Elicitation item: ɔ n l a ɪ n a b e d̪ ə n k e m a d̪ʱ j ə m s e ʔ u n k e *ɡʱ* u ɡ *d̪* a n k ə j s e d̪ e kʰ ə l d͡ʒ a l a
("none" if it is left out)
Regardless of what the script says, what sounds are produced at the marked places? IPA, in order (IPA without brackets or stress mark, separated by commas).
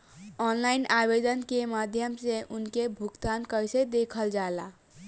bʱ, t̪